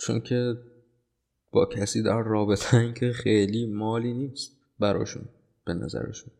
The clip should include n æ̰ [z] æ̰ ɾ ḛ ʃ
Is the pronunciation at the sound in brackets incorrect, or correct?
correct